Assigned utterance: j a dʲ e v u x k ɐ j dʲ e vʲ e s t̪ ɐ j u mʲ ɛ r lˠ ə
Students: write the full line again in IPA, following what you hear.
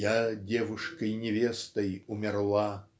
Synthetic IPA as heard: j a dʲ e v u ʂ k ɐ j nʲ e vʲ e s t̪ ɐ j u mʲ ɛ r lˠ a